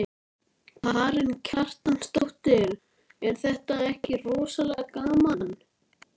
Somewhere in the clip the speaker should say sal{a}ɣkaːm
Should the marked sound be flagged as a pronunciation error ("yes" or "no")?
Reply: yes